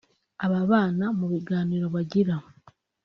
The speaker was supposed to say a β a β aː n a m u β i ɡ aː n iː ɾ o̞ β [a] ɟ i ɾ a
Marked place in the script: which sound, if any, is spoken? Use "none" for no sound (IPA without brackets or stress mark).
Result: a